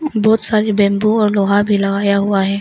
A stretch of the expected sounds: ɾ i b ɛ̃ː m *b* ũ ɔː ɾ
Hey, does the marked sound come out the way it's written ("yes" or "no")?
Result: yes